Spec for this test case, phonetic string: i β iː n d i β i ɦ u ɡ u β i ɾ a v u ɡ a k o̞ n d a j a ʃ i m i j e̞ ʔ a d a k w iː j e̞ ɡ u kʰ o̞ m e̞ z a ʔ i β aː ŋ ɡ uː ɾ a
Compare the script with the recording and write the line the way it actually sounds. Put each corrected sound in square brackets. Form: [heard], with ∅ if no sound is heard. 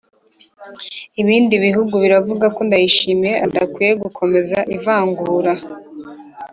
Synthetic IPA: i β iː n d i β i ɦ u ɡ u β i ɾ a v u ɡ a k o̞ n d a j [i] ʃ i m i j e̞ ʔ a d a k w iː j e̞ ɡ u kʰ o̞ m e̞ z a ʔ i [v] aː ŋ ɡ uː ɾ a